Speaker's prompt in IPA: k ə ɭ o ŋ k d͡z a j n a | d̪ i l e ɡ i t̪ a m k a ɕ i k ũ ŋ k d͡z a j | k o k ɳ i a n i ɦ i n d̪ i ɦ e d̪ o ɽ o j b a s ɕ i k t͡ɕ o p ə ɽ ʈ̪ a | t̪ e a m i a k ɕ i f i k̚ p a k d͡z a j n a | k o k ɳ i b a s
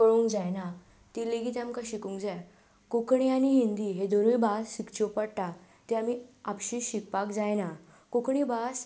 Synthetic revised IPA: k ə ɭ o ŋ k d͡z a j n a | t̪ i l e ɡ i t̪ a m k a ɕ i k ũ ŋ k d͡z a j | k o k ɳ i a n i ɦ i n d̪ i ɦ e d̪ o ɾ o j b a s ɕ i k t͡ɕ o p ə ɽ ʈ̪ a | t̪ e a m i a p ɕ i ɕ i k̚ p a k d͡z a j n a | k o k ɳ i b a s

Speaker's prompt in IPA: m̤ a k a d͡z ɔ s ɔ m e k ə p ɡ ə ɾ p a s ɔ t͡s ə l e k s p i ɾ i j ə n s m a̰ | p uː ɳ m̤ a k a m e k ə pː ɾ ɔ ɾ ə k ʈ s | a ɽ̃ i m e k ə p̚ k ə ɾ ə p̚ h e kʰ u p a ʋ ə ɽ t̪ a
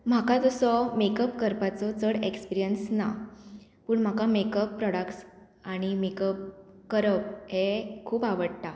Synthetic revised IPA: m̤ a k a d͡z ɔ s ɔ m e k ə p k ə ɾ p a t͡s ɔ t͡s ə ɽ e k s p i ɾ i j ə n s n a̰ | p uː ɳ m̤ a k a m e k ə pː ɾ ɔ ɽ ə k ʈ s | a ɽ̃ i m e k ə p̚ k ə ɾ ə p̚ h e kʰ uː p a ʋ ə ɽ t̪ a

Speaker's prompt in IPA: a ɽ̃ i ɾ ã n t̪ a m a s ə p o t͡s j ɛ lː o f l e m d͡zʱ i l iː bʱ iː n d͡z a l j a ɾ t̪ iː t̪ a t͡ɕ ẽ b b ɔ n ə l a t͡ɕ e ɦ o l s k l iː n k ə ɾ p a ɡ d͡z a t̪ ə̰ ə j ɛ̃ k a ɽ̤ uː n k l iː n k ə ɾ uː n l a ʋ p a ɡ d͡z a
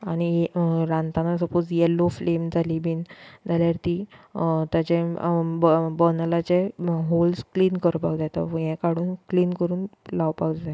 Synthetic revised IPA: a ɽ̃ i ɾ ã n t̪ a n a s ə p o t͡s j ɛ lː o f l e m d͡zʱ a l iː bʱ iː n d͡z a l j a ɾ t̪ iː t̪ a t͡ɕ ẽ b b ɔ n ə l a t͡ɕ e ɦ o l s k l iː n k ə ɾ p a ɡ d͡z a t̪ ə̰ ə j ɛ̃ k a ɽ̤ uː n k l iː n k ə ɾ uː n l a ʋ p a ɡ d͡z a

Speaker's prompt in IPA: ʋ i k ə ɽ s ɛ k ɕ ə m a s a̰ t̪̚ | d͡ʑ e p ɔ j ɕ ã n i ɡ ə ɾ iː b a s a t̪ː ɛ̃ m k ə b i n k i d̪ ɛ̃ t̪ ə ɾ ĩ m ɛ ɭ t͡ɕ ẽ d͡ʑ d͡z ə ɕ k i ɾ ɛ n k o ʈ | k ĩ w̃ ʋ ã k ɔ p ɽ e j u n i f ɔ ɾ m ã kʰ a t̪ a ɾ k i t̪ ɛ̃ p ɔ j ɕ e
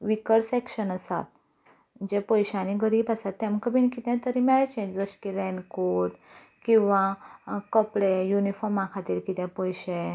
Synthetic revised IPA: ʋ i k ə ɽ s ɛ k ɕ ə n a s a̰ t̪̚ | d͡ʑ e p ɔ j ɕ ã n i ɡ ə ɾ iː b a s a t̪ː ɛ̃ m k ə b i n k i t̪ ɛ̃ t̪ ə ɾ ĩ m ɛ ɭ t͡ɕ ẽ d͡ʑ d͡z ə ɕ k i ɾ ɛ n k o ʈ | k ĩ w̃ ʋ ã k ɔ p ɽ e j u n i f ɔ ɾ m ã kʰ a t̪ i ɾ k i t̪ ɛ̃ p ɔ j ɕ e

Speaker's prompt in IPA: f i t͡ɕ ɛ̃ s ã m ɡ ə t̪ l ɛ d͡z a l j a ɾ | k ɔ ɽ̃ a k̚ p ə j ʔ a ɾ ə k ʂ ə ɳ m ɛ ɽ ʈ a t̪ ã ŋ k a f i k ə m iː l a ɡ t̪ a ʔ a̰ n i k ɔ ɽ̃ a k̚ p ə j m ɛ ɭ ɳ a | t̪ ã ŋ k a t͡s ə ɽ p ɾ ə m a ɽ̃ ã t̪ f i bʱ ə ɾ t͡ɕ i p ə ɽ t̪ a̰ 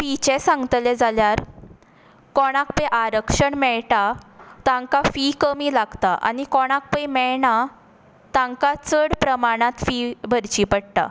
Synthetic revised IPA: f i t͡ɕ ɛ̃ s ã ŋ ɡ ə t̪ l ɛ d͡z a l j a ɾ | k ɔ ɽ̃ a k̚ p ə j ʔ a ɾ ə k ʂ ə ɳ m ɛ ɭ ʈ a t̪ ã ŋ k a f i k ə m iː l a ɡ t̪ a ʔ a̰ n i k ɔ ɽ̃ a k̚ p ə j m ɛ ɭ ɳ a | t̪ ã ŋ k a t͡s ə ɽ p ɾ ə m a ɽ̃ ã t̪ f i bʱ ə ɾ t͡ɕ i p ə ɽ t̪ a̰

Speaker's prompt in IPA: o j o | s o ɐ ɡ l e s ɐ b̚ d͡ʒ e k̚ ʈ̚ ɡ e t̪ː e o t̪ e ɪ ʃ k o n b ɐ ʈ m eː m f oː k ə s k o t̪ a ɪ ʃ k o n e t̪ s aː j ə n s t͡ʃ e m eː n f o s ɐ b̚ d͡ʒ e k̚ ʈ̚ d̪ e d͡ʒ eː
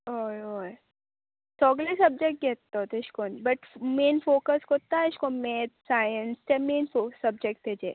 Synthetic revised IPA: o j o | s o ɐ ɡ l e s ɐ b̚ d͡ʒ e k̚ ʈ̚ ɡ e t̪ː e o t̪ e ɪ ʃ k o n b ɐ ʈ m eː n f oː k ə s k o t̪ a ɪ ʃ k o m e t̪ s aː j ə n s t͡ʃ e m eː n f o s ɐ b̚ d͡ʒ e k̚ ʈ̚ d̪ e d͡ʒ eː

